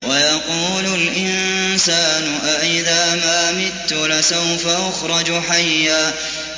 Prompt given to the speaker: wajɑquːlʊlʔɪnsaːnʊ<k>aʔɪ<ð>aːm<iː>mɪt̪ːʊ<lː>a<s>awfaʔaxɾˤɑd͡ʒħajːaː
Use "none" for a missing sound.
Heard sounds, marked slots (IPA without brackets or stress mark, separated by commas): ʔ, ð, aː, l, s